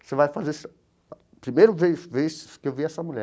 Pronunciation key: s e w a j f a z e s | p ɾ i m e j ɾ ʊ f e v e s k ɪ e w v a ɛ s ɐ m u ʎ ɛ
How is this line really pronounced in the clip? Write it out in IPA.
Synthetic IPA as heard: s e v a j f a z e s | p ɾ i m e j ɾ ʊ v e v e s k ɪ e w v i ɛ s ɐ m u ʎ ɛ